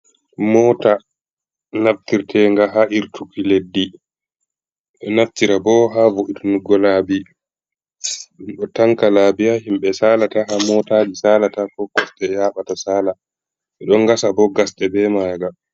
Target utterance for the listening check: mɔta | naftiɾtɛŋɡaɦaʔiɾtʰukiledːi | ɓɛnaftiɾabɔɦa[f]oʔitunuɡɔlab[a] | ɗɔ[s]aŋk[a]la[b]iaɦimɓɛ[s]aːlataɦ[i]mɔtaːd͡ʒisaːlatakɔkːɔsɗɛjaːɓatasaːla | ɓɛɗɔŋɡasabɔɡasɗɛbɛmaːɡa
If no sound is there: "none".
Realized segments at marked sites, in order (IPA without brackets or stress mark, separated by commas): v, i, t, a, b, s, a